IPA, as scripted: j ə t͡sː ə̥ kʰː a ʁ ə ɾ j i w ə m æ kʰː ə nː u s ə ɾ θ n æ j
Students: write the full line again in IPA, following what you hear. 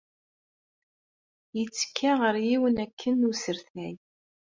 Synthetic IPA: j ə t͡sː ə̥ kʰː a ʁ ə ɾ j i w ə n æ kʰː ə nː u s ə ɾ θ n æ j

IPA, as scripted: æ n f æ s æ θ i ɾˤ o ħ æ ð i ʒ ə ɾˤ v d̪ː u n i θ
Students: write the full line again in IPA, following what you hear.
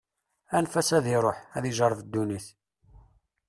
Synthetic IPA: æ n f æ s æ ð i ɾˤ o ħ æ ð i ʒ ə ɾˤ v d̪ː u n i θ

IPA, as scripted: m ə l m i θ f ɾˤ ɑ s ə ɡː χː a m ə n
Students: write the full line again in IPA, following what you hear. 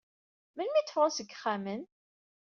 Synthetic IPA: m ə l m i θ f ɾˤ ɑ s ə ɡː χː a m ə n

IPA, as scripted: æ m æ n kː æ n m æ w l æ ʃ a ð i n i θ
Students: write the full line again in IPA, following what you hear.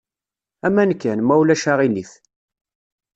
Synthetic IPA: æ m æ n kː æ n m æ w l æ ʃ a ʁ i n i θ

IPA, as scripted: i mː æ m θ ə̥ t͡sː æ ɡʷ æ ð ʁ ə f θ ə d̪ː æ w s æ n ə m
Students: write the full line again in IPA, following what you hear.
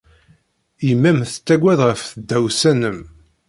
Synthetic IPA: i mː æ m θ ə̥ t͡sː æ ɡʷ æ ð ʁ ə f θ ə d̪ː æ w s æ n ə m

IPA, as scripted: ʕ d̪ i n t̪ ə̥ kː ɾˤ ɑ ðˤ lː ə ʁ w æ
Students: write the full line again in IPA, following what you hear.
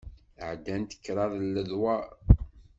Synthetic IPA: ʕ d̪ æ n t̪ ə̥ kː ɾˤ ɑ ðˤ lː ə ð w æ

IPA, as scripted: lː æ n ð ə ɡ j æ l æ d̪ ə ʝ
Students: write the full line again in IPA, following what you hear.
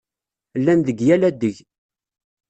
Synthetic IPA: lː æ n ð ə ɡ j æ l æ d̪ ə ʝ

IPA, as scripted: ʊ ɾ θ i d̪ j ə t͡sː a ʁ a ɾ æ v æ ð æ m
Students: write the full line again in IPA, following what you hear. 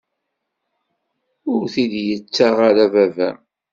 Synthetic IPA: ʊ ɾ θ i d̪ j ə t͡sː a ʁ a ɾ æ v æ v æ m

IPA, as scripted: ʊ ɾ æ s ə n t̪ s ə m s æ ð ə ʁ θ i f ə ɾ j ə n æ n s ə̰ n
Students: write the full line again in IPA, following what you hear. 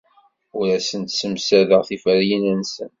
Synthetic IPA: ʊ ɾ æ s ə n t̪ s ə m s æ ð ə ʁ θ i f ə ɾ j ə n æ n s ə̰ n

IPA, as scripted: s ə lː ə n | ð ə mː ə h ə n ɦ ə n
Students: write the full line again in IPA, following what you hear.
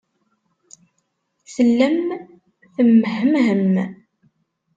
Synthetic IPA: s ə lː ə m | θ ə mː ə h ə m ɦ ə m

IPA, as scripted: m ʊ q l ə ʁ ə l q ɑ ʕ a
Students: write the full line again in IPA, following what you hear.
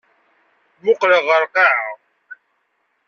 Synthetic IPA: m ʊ q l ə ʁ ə ɾ q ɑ ʕ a

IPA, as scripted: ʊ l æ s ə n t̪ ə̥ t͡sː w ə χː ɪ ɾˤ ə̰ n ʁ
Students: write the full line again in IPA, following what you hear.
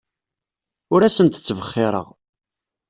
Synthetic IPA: ʊ ɾ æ s ə n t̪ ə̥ t͡sː v ə χː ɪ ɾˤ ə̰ ʁ

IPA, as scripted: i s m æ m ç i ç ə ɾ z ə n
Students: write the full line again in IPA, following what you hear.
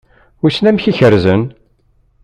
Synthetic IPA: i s n æ m ç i ç ə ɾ z ə n

